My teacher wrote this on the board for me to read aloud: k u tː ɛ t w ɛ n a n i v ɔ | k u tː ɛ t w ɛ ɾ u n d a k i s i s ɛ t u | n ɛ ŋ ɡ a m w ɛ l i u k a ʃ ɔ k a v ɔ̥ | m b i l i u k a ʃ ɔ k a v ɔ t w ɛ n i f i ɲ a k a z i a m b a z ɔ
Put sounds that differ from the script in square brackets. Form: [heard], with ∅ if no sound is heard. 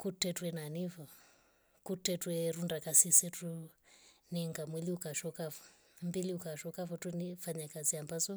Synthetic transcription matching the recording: k u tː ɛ t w ɛ n a n i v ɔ | k u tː ɛ t w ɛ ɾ u n d a k [a] s i s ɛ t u | n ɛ ŋ ɡ a m w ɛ l i u k a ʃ ɔ k a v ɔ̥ | m b i l i u k a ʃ ɔ k a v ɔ t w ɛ n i f [a] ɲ a k a z i a m b a z ɔ

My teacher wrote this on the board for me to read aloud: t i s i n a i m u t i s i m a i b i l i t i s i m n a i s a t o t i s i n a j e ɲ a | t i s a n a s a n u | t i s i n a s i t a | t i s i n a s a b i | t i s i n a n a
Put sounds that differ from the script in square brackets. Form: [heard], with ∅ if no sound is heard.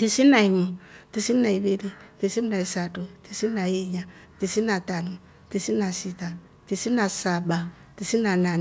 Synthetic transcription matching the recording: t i s i n a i m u t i s i [n] a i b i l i t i s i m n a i s a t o t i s i n a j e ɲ a | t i s [i] n a [t] a n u | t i s i n a s i t a | t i s i n a s a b [a] | t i s i n a n a

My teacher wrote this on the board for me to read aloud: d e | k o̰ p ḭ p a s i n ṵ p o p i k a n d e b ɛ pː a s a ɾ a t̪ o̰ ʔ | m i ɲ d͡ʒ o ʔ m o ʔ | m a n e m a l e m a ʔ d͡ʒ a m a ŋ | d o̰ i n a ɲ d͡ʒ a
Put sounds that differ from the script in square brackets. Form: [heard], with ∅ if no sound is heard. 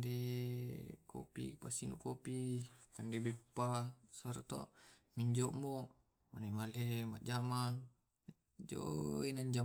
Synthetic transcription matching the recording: d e | k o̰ p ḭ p a s i n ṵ [k] o p i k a n d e b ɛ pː a s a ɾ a t̪ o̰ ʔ | m i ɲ d͡ʒ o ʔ m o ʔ | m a n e m a l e m a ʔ d͡ʒ a m a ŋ | [d͡ʒ] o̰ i n a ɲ d͡ʒ a

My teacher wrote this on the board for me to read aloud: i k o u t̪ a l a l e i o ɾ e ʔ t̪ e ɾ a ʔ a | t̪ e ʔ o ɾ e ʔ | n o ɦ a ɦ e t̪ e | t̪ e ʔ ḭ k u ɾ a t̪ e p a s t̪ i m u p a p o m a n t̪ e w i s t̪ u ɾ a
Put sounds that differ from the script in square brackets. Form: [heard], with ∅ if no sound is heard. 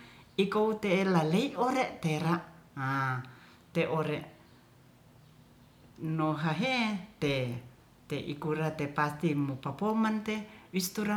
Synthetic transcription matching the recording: i k o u t̪ [e] l a l e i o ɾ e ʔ t̪ e ɾ a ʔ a | t̪ e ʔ o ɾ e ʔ | n o ɦ a ɦ e t̪ e | t̪ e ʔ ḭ k u ɾ a t̪ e p a s t̪ i m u p a p o m a n t̪ e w i s t̪ u ɾ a

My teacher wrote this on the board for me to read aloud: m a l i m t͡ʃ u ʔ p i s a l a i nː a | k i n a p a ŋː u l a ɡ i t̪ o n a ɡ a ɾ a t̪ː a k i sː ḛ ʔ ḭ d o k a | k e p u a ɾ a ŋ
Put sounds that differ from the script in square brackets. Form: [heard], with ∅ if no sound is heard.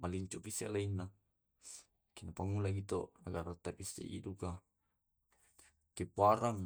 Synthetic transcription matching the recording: m a l i [ɲ] t͡ʃ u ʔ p i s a l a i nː a | k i n a p a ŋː u l a ɡ i t̪ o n a ɡ a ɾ a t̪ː a [p] i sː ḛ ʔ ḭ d [u] k a | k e p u a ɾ a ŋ

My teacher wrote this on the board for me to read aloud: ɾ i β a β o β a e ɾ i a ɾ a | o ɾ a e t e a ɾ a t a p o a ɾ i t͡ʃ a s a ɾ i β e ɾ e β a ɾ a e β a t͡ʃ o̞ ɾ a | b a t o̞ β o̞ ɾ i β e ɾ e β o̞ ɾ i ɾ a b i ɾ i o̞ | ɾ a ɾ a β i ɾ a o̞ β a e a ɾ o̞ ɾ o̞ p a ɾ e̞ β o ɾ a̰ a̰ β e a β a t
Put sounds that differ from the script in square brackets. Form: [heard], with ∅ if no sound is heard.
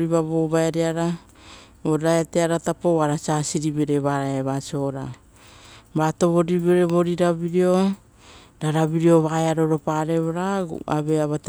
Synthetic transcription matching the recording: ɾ i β a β o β a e ɾ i a ɾ a | o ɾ a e t e a ɾ a t a p o a ɾ [a] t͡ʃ a s [i] ɾ i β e ɾ e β a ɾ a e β a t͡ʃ o̞ ɾ a | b a t o̞ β o̞ ɾ i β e ɾ e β o̞ ɾ i ɾ a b i ɾ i o̞ | ɾ a ɾ a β i ɾ [i] o̞ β a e a ɾ o̞ ɾ o̞ p a ɾ e̞ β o ɾ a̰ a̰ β e a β a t

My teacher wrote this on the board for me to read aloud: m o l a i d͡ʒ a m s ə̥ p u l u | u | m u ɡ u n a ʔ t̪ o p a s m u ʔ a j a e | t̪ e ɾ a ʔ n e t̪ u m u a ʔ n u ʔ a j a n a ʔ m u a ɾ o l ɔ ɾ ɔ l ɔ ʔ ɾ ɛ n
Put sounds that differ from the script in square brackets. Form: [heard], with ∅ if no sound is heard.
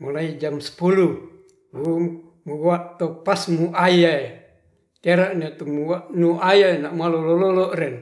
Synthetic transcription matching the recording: m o l a i d͡ʒ a m s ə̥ p u l u | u | m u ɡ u [∅] a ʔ t̪ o p a s m u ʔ a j a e | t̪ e ɾ a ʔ n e t̪ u m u a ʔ n u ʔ a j a n a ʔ m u a [l] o l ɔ [l] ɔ l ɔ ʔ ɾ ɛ n

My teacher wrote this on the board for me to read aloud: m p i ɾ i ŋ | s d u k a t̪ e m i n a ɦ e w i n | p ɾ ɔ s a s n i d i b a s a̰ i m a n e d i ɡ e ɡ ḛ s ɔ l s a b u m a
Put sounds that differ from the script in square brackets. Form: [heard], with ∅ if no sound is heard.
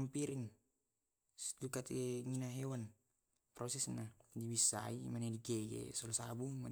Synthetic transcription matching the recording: m p i ɾ i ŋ | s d u k a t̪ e [ŋ] i n a ɦ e w [a] n | p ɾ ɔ s [ɛ] s n [a] d i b [i] s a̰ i m a n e d i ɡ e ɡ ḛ s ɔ l s a b u m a

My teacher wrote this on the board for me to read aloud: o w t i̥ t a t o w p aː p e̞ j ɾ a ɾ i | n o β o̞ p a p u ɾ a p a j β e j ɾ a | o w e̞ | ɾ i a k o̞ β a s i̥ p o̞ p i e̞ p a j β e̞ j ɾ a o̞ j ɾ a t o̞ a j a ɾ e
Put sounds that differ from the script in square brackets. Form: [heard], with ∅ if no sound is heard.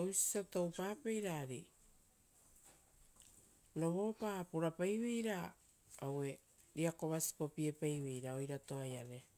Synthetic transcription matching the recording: o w [s] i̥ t a t o w p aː p e̞ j ɾ a ɾ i | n o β o̞ p a p u ɾ a p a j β e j ɾ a | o w e̞ | ɾ i a k o̞ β a s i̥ p o̞ p i e̞ p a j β e̞ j ɾ a o̞ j ɾ a t o̞ a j a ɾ e

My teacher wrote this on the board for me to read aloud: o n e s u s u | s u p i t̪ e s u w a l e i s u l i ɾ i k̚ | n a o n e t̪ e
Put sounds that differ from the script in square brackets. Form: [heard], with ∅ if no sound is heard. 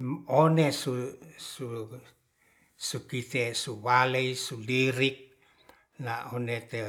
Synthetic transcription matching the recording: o n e s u s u | s u [k] i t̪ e s u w a l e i s u l i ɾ i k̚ | n a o n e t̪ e

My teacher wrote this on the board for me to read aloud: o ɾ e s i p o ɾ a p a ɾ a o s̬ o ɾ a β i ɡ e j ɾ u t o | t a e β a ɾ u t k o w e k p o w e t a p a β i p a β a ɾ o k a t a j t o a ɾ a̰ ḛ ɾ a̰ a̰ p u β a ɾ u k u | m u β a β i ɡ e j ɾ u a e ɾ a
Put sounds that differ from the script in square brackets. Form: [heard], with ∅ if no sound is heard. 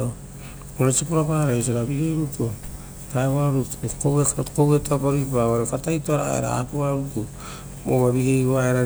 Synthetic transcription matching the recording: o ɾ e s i p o ɾ a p a ɾ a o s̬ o ɾ a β i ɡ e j ɾ u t o | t a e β a ɾ u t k o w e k [k] o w e t a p a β i p a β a ɾ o k a t a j t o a ɾ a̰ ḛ ɾ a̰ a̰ p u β a ɾ u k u | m [o] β a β i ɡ e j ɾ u a e ɾ a

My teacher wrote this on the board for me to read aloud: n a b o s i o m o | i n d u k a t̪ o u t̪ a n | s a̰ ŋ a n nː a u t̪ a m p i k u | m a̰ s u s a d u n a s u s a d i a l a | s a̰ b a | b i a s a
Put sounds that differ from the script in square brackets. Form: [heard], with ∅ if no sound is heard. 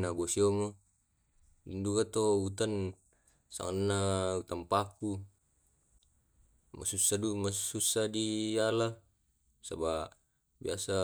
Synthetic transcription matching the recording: n a b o s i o m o | i n d u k a t̪ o u t̪ a n | s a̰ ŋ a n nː a u t̪ a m p [a] k u | m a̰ s u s a d u [m] a s u s a d i a l a | s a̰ b a | b i a s a

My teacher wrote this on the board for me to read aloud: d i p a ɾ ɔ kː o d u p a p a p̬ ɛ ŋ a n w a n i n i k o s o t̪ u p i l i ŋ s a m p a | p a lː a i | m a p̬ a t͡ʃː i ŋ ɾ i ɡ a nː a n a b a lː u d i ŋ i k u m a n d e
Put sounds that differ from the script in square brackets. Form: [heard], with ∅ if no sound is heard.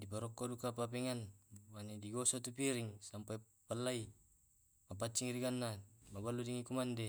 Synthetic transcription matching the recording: d i p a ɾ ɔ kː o d u [k] a p a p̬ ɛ ŋ a n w a n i [d] i [ɡ] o s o t̪ u p i [ɾ] i ŋ s a m p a | p a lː a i | m a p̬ a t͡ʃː i ŋ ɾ i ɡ a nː a [m] a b a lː u d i ŋ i k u m a n d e

